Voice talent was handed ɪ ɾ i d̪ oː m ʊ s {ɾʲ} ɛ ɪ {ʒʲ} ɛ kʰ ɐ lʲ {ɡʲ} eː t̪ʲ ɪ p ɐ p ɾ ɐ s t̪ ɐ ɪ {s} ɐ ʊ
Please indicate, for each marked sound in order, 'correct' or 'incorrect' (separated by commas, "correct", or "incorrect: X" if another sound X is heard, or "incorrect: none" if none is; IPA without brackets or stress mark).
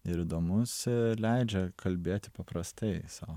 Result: incorrect: lʲ, incorrect: d͡ʒʲ, incorrect: bʲ, correct